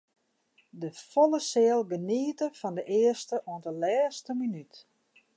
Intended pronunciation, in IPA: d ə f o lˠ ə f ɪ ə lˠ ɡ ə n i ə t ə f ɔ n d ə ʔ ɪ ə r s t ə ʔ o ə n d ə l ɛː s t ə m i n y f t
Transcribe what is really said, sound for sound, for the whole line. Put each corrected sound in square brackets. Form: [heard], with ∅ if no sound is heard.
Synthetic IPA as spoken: d ə f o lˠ ə [s] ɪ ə lˠ ɡ ə n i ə t ə f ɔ n d ə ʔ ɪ ə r s t ə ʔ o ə n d ə l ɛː s t ə m i n y [∅] t